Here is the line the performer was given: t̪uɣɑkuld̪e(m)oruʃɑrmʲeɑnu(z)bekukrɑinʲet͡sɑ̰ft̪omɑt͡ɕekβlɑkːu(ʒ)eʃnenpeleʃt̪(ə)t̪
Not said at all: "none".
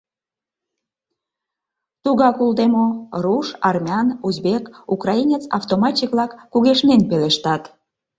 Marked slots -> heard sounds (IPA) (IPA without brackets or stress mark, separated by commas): m, z, ɣ, ɑ